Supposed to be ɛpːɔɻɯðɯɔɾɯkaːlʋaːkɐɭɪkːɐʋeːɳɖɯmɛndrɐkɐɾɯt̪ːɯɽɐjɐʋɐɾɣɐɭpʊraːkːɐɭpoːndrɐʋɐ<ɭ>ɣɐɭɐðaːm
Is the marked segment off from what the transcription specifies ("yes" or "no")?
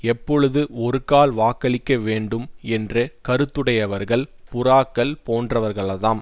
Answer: yes